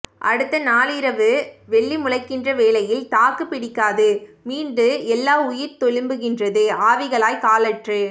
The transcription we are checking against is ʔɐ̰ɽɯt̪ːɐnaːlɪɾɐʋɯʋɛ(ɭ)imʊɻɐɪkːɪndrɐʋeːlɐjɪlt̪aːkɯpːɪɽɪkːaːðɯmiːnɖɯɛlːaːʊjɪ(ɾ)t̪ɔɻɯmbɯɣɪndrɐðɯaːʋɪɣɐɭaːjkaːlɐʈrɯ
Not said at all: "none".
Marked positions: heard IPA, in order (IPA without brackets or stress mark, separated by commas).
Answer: ɭː, ɾ